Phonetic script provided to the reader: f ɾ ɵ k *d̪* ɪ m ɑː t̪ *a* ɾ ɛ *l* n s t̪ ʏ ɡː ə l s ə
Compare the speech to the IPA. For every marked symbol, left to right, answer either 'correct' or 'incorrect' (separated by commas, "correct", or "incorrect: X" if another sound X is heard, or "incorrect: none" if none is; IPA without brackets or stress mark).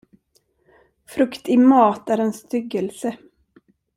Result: incorrect: t̪, incorrect: æ, incorrect: none